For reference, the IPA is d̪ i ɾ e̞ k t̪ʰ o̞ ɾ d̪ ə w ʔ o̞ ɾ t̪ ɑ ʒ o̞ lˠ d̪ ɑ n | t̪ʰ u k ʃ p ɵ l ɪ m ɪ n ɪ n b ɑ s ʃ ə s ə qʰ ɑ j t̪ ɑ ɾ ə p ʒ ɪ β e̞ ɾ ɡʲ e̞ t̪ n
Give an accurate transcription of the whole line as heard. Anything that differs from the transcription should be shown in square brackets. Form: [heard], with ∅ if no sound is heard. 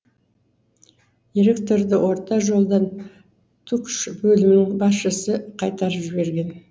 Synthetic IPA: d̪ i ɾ e̞ k [t̪] o̞ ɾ d̪ ə w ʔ o̞ ɾ t̪ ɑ ʒ o̞ lˠ d̪ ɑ n | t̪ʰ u k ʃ [b] ɵ l ɪ m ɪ n ɪ [ŋ] b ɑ s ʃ ə s ə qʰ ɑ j t̪ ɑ ɾ ə p ʒ ɪ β e̞ ɾ ɡʲ e̞ [∅] n

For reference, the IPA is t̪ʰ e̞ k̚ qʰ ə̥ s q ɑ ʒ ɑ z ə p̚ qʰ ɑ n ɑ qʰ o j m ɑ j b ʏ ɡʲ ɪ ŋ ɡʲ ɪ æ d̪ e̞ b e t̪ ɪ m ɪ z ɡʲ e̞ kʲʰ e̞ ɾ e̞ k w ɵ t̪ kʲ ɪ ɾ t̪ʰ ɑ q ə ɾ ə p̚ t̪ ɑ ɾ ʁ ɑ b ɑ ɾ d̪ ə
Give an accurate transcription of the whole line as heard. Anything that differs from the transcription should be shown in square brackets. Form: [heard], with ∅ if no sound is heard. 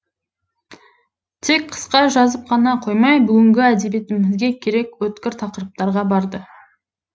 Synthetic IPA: t̪ʰ e̞ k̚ qʰ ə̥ s q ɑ ʒ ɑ z ə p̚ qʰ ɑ n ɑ qʰ o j m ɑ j b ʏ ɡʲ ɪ ŋ ɡʲ ɪ æ d̪ e̞ b e t̪ ɪ m ɪ z ɡʲ e̞ kʲʰ e̞ ɾ e̞ k w ɵ t̪ kʲ ɪ ɾ t̪ʰ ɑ q ə ɾ ə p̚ t̪ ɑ ɾ ʁ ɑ b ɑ ɾ d̪ ə

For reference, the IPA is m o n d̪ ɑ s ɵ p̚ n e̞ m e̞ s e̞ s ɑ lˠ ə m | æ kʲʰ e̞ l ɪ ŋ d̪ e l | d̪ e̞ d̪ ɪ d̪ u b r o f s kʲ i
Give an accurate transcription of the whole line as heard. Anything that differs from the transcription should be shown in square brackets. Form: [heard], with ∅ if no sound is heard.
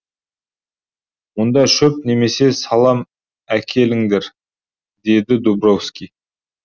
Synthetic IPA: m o n d̪ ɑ [ʃ] ɵ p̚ n e̞ m e̞ s e̞ s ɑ lˠ [ɑ] m | æ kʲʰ e̞ l ɪ ŋ d̪ e [ɾ] | d̪ e̞ d̪ ɪ d̪ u b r o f s kʲ i

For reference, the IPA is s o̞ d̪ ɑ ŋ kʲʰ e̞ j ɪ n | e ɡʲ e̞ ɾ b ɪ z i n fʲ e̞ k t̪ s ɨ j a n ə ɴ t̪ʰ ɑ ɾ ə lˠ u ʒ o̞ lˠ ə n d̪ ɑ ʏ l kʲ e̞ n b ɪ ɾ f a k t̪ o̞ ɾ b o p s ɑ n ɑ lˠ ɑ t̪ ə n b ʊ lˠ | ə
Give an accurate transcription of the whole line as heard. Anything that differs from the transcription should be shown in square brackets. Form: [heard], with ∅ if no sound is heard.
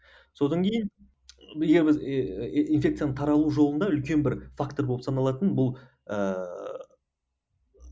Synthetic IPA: s o̞ d̪ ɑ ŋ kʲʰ e̞ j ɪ n | e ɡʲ e̞ ɾ b ɪ z i n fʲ e̞ k t̪ s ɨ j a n ə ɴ t̪ʰ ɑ ɾ [ɑ] lˠ u ʒ o̞ lˠ ə n d̪ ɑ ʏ l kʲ e̞ n b ɪ ɾ f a k t̪ o̞ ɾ b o p s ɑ n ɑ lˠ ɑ t̪ ə n b ʊ lˠ | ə

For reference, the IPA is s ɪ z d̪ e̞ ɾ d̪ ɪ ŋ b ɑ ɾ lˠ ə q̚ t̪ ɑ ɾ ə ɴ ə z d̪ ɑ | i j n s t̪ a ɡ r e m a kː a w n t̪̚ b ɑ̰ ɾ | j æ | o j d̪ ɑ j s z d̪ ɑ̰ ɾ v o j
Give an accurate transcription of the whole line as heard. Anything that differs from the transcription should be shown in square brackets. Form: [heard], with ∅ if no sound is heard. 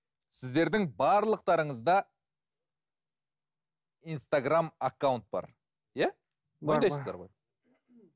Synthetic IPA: s ɪ z d̪ e̞ ɾ d̪ ɪ ŋ b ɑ ɾ lˠ ə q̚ t̪ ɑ ɾ ə ɴ ə z d̪ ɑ | i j n s t̪ a ɡ r [a] m a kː a w n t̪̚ b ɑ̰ ɾ | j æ | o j d̪ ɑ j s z d̪ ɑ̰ ɾ [ʁ] o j

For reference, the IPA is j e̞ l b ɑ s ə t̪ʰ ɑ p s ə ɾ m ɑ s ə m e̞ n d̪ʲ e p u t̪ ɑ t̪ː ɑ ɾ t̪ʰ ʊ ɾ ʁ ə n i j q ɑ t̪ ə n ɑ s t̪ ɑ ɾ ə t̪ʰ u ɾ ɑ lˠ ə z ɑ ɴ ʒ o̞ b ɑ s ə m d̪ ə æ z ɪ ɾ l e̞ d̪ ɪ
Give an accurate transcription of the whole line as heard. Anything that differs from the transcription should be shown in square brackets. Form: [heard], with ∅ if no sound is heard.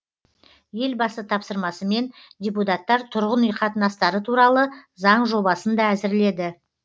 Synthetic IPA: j e̞ l b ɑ s ə t̪ʰ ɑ p s ə ɾ m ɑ s ə m e̞ n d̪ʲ e p u t̪ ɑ t̪ː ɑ ɾ t̪ʰ ʊ ɾ ʁ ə n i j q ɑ t̪ ə n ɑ s t̪ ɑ ɾ ə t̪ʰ u ɾ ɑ lˠ ə z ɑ ɴ ʒ o̞ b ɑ s ə [n] d̪ [ɑ] æ z ɪ ɾ l e̞ d̪ ɪ

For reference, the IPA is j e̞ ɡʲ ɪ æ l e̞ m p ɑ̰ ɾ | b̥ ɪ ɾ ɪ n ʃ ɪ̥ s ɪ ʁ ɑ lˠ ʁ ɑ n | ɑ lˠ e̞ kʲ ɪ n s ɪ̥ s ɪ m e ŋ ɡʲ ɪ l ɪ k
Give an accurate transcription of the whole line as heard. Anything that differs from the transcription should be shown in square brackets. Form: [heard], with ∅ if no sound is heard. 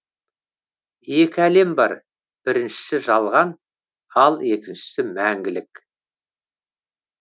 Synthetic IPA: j e̞ [kʲ] ɪ æ l e̞ m [b] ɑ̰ ɾ | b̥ ɪ ɾ ɪ n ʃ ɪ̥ s ɪ [ʒ] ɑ lˠ ʁ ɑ n | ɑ lˠ e̞ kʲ ɪ n [ʃ] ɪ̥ s ɪ m [æ] ŋ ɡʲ ɪ l ɪ k

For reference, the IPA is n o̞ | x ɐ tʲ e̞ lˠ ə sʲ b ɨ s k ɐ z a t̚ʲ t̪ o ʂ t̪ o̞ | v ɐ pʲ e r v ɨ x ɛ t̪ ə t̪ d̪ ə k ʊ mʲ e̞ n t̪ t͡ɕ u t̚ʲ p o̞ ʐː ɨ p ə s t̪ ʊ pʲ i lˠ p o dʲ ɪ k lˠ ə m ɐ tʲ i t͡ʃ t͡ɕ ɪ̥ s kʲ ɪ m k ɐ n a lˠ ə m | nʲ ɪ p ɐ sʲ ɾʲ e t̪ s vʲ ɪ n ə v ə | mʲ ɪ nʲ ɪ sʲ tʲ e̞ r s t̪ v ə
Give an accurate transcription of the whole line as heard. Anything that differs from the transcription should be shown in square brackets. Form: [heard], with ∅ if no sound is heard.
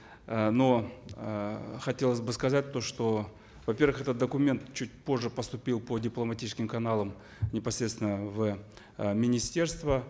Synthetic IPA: n o̞ | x ɐ tʲ e̞ lˠ ə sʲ b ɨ s k ɐ z a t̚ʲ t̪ o ʂ t̪ o̞ | v ɐ pʲ e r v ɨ x ɛ t̪ ə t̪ d̪ ə k ʊ mʲ e̞ n t̪ t͡ɕ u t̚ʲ p o̞ ʐː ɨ p ə s t̪ ʊ pʲ i lˠ p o dʲ ɪ [p] lˠ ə m ɐ tʲ i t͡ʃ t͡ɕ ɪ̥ s kʲ ɪ m k ɐ n a lˠ ə m | nʲ ɪ p ɐ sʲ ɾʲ e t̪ s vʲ ɪ n ə v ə | mʲ ɪ nʲ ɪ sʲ tʲ e̞ r s t̪ v ə

